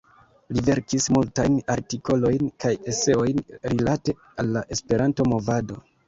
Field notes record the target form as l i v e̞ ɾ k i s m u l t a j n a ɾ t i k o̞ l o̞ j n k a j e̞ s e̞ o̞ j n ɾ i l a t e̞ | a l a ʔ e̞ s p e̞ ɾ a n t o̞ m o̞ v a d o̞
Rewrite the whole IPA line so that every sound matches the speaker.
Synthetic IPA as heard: l i v e̞ ɾ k i s m u l t a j n a ɾ t i k o̞ l o̞ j n k a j e̞ s e̞ o̞ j n ɾ i l a t e̞ | a lː a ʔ e̞ s p e̞ ɾ a n t o̞ m o̞ v a d o̞